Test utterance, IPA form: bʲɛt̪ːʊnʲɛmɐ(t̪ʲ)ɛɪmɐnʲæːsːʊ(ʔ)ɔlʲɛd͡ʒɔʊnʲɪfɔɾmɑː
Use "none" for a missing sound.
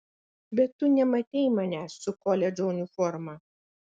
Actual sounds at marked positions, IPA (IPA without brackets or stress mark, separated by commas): t̪ʲ, k